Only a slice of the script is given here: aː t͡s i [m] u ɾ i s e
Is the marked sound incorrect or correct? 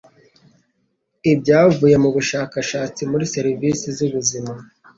correct